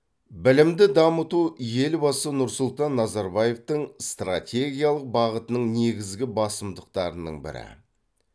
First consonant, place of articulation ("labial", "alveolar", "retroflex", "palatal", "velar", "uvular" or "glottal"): labial